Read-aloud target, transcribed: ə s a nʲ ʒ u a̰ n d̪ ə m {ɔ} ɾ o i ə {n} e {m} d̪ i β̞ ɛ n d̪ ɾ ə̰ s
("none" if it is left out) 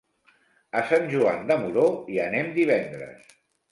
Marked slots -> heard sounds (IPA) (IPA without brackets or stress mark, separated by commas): u, n, m